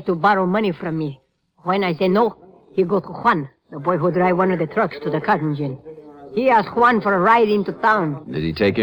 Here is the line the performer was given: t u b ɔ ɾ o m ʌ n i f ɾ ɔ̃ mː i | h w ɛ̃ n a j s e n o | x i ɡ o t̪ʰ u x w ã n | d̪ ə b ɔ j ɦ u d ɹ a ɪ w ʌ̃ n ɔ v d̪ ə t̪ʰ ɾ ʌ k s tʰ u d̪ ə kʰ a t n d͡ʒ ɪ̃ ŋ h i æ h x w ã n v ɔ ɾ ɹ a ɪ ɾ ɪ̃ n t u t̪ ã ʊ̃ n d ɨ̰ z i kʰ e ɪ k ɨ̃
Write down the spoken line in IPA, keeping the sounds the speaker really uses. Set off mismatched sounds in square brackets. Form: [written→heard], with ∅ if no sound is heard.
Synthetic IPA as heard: t u b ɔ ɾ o m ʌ n i f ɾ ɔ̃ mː i | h w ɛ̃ n a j s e n o | [x→h] i ɡ o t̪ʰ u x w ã n | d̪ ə b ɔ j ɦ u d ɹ a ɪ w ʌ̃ n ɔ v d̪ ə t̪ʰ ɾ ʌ k s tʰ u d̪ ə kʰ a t n d͡ʒ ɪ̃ [ŋ→n] h i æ [h→s] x w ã n [v→f] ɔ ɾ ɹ a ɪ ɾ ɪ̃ n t u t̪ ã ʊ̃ n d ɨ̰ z i [kʰ→tʰ] e ɪ k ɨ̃